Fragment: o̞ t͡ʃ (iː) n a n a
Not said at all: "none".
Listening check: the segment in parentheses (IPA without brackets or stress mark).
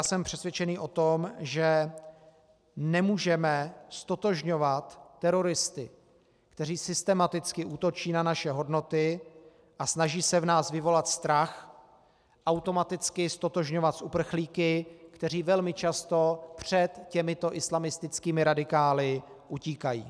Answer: iː